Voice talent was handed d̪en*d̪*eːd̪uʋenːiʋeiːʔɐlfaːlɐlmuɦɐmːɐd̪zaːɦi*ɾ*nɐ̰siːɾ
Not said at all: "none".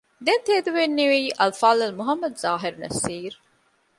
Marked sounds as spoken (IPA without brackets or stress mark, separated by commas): t̪, ɾ